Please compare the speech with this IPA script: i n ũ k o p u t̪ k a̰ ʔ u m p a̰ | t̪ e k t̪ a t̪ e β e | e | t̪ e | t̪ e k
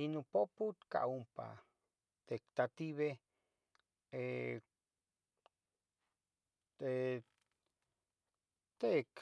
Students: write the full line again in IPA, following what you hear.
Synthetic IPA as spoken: i n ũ p o p u t̪ k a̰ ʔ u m p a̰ | t̪ e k t̪ a t̪ i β e | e | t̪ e | t̪ e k